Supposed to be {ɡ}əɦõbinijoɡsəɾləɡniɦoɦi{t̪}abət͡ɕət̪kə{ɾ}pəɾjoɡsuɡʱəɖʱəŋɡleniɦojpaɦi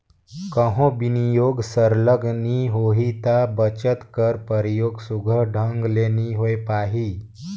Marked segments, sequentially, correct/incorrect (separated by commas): incorrect, correct, correct